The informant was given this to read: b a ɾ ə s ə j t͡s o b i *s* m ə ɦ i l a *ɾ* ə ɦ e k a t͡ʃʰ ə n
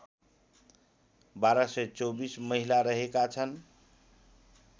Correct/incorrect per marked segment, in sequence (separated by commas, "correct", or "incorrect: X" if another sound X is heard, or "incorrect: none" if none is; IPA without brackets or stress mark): correct, correct